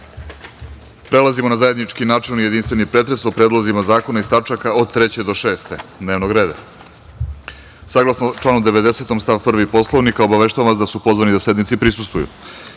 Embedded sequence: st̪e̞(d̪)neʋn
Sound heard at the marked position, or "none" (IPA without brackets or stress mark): d̪